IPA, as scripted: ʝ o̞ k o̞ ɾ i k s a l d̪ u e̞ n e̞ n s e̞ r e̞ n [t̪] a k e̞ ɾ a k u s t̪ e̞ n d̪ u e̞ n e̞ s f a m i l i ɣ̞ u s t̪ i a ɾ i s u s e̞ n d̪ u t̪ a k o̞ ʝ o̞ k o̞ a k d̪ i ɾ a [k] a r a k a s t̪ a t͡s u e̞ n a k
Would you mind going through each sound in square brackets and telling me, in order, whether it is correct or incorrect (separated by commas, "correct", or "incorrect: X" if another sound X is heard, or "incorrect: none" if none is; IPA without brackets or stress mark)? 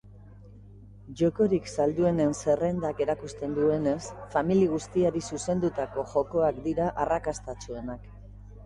incorrect: d̪, incorrect: ʔ